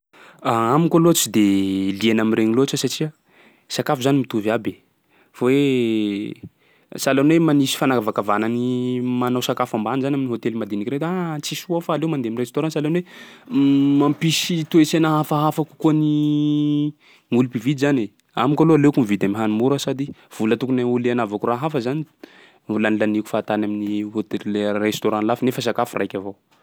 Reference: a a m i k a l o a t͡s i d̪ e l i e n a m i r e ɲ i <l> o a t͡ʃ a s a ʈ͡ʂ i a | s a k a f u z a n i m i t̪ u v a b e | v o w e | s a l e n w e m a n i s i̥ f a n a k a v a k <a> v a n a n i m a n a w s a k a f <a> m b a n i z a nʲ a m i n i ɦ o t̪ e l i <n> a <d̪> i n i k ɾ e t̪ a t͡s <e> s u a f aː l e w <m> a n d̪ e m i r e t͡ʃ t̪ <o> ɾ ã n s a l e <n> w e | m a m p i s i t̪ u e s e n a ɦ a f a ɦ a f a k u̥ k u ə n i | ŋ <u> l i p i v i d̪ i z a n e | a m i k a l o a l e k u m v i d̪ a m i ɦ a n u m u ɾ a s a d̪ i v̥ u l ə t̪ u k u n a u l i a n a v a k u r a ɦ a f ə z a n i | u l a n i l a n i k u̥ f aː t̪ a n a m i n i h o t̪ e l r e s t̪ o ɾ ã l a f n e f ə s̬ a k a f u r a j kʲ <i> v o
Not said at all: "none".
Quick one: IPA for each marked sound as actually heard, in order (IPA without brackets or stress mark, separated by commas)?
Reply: l, a, a, m, d̪, i, m, o, n, u, a